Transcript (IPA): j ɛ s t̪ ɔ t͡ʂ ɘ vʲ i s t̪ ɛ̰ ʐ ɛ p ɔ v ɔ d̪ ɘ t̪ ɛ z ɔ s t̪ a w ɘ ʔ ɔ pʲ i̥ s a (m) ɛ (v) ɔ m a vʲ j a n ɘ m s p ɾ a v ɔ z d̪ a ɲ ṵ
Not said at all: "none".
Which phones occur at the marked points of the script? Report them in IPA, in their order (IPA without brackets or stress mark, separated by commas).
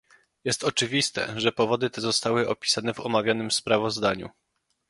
n, v